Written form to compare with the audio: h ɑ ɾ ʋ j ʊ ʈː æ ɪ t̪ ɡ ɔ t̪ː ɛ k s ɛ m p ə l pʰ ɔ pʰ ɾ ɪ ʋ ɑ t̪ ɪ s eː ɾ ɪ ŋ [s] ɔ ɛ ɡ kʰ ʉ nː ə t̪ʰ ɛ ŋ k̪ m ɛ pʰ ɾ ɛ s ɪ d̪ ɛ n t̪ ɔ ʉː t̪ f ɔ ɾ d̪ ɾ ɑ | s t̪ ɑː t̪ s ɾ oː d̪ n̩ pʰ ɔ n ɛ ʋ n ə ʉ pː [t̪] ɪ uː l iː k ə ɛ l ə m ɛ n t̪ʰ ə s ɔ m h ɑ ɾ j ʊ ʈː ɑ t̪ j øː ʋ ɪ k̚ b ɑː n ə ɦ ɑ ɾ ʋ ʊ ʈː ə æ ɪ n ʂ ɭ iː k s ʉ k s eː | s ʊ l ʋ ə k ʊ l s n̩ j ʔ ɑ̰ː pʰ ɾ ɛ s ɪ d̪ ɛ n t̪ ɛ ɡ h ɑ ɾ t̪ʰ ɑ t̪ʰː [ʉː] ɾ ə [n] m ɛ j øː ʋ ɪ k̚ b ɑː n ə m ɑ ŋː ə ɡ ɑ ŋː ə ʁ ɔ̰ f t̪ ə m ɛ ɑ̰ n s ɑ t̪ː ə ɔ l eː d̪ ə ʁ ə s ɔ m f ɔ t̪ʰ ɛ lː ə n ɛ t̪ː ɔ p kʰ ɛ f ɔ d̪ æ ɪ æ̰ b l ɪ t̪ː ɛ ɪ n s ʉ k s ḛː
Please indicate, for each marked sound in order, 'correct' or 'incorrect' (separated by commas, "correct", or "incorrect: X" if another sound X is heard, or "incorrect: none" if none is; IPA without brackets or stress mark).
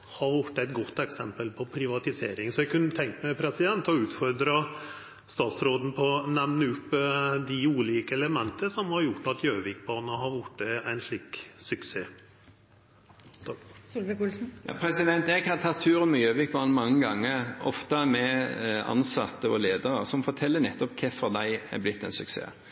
correct, incorrect: d̪, correct, correct